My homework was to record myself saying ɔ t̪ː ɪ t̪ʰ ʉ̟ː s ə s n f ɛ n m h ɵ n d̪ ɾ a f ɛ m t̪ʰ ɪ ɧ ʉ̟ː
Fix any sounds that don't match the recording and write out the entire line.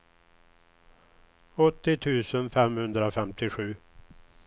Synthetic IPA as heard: ɔ t̪ː ɪ t̪ʰ ʉ̟ː s ə n f ɛ m h ɵ n d̪ ɾ a f ɛ m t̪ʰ ɪ ɧ ʉ̟ː